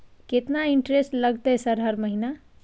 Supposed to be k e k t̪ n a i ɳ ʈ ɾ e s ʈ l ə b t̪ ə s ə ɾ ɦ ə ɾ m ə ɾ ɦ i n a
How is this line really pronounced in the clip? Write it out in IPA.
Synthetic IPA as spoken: k e t̪ n a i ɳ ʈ ɾ e s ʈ l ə ɡ t̪ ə s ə ɾ ɦ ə ɾ m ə ɦ i n a